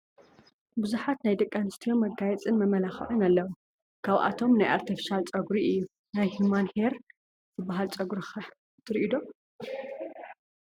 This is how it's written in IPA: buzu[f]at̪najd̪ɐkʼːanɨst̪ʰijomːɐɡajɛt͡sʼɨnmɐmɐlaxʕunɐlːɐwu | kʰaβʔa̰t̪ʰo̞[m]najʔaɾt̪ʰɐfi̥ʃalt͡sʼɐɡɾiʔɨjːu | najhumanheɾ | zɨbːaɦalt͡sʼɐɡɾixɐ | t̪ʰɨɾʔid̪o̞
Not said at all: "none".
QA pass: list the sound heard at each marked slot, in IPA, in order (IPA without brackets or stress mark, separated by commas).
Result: ħ, m